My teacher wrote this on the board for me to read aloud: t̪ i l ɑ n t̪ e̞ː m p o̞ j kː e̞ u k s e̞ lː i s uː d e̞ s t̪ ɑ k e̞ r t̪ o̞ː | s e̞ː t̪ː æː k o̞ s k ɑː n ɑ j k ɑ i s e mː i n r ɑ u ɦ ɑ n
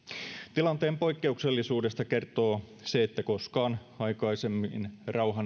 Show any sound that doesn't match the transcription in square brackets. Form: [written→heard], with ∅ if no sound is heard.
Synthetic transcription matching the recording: t̪ i l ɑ n t̪ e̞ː m p o̞ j kː e̞ u k s e̞ lː i s uː d e̞ s t̪ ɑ k e̞ r t̪ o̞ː | s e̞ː t̪ː [æː→æ] k o̞ s k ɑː n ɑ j k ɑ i s e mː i n r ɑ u ɦ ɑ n